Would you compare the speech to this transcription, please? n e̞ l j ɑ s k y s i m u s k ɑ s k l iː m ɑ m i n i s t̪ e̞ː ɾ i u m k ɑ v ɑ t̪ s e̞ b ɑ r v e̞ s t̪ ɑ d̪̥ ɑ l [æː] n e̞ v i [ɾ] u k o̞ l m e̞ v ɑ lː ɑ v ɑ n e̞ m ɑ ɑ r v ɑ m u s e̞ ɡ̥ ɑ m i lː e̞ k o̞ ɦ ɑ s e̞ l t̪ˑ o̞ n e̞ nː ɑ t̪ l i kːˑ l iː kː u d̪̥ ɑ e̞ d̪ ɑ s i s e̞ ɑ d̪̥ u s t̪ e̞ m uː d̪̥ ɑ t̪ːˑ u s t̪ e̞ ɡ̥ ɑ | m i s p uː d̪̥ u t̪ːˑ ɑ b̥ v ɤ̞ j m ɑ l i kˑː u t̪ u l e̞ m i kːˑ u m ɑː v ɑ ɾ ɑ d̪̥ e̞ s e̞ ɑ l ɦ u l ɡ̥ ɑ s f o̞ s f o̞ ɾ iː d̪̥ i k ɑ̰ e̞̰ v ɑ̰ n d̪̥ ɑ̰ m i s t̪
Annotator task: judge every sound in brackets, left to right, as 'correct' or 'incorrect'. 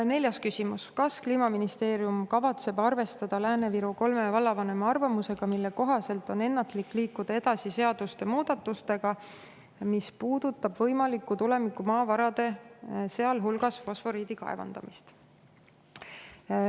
correct, correct

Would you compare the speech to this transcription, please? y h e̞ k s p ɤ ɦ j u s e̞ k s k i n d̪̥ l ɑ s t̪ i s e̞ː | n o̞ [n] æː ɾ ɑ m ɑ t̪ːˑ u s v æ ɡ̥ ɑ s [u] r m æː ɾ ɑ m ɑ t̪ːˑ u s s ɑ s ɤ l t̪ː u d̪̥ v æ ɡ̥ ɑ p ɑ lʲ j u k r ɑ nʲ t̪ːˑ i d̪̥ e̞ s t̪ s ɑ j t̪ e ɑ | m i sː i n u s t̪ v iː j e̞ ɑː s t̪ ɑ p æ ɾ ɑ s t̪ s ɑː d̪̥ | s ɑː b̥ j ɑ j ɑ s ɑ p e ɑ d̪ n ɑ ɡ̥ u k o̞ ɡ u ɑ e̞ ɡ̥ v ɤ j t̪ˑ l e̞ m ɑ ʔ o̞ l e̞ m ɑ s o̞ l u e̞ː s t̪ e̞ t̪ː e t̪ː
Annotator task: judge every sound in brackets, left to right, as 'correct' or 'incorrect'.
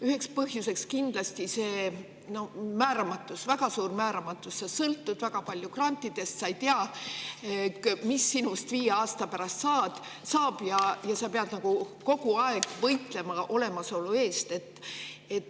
incorrect, incorrect

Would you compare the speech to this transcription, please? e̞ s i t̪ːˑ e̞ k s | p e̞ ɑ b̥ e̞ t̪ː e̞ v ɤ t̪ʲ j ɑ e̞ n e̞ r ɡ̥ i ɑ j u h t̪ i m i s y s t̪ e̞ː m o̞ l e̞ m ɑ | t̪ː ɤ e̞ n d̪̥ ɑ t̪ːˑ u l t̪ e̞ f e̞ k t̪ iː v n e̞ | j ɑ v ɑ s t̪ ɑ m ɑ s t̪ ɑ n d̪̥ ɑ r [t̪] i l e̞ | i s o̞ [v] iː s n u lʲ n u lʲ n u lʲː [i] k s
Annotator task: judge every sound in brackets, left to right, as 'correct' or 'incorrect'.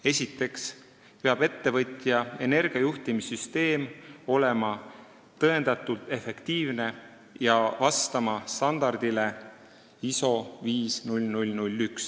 incorrect, correct, incorrect

